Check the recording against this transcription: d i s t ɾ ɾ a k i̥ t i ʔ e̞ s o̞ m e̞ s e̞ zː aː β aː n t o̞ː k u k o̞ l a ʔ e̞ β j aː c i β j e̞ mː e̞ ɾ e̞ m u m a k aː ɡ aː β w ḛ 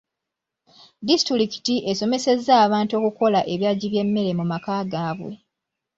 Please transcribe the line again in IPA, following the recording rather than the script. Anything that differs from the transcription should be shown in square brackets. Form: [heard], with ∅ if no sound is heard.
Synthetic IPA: d i s t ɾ ɾ [i] k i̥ t i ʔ e̞ s o̞ m e̞ s e̞ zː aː β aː n t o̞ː k u k o̞ l a ʔ e̞ β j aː [ɟ] i β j e̞ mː e̞ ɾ e̞ m u m a k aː ɡ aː β w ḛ